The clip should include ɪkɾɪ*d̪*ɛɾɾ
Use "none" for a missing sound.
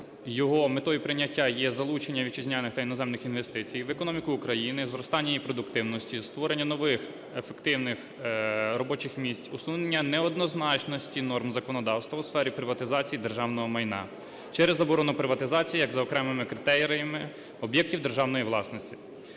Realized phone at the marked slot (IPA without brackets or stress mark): t̪